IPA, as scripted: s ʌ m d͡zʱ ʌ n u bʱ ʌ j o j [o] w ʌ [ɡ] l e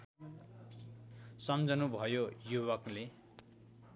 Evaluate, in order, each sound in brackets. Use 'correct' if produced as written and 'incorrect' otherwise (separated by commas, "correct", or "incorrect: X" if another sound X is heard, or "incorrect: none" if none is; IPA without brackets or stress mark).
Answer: incorrect: u, incorrect: k